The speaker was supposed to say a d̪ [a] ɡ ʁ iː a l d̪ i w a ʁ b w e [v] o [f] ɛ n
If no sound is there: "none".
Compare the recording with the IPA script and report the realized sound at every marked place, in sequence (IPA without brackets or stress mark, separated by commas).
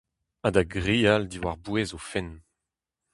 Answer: a, z, f